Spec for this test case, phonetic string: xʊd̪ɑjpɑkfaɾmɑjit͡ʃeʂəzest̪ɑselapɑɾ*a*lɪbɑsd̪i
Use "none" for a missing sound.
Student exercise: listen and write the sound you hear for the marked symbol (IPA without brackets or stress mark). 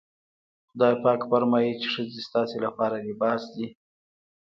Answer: a